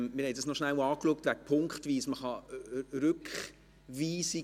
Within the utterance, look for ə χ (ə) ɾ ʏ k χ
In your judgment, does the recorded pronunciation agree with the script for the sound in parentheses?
no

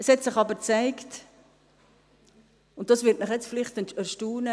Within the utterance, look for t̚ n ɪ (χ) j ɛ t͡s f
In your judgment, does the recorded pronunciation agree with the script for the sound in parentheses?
yes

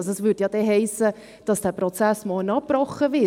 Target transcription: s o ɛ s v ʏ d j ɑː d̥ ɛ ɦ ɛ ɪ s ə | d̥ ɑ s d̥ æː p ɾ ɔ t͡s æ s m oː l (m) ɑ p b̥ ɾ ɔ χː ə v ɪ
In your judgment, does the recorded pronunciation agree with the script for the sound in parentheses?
no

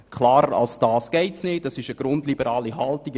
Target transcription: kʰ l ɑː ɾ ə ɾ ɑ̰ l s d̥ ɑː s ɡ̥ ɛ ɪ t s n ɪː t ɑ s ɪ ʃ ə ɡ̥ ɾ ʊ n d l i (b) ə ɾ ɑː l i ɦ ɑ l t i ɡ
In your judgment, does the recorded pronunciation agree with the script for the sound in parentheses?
yes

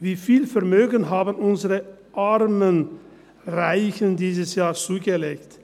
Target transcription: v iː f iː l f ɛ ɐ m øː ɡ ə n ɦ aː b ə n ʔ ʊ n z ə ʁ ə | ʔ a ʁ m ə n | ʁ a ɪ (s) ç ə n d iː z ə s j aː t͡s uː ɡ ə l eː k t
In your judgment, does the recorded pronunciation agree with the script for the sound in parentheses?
no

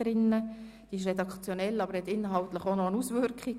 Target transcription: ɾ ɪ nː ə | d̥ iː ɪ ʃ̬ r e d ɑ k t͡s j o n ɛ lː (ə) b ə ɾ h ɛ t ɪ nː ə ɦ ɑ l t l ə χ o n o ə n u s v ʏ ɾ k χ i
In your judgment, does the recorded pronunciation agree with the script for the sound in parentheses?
no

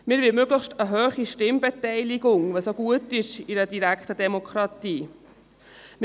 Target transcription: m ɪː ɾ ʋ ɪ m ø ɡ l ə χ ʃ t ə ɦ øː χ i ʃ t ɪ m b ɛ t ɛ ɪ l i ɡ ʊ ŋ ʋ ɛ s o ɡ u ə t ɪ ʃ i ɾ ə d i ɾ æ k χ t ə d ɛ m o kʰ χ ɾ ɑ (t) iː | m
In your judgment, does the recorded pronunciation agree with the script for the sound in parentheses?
yes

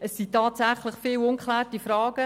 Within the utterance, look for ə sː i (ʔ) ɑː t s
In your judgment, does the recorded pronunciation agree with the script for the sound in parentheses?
no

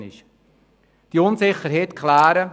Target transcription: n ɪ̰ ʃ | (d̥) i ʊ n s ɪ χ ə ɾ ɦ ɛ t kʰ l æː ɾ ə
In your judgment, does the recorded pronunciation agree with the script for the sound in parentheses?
yes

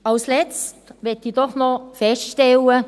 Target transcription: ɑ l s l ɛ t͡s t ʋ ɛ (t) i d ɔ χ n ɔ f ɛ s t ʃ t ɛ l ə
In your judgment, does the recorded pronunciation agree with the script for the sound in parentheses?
yes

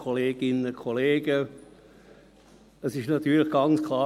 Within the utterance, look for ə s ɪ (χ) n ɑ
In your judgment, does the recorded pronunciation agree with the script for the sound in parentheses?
no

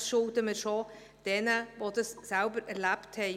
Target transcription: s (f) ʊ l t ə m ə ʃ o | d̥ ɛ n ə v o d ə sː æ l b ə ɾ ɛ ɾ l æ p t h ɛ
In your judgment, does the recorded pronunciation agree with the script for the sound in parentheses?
no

